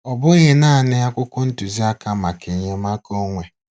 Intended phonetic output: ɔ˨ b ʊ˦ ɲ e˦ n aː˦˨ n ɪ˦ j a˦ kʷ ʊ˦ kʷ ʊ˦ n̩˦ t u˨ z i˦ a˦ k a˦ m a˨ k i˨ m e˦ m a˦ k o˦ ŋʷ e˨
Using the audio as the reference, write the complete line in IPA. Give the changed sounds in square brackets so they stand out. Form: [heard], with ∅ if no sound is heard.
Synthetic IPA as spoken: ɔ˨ b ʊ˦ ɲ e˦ n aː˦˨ n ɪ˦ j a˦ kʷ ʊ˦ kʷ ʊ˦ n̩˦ t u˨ z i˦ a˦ k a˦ m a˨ k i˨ [ɲ] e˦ m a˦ k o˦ ŋʷ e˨